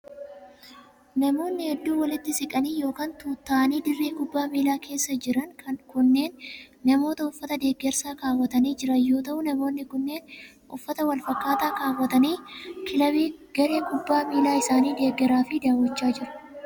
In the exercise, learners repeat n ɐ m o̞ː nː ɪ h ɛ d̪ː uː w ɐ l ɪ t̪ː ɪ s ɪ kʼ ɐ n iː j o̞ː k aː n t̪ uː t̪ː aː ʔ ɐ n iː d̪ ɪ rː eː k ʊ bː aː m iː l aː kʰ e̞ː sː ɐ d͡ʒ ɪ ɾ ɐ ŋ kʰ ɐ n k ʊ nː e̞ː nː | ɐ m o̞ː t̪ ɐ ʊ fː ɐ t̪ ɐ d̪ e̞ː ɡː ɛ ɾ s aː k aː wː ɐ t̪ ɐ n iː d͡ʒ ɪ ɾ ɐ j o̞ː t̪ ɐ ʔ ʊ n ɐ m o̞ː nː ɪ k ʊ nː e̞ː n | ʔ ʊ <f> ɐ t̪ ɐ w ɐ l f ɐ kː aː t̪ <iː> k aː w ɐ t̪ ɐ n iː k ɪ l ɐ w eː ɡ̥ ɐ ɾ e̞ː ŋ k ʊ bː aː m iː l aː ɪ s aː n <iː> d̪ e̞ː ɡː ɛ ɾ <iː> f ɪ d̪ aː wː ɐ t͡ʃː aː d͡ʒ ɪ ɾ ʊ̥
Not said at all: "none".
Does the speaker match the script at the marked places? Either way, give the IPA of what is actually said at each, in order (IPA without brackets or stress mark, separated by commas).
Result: fː, aː, iː, aː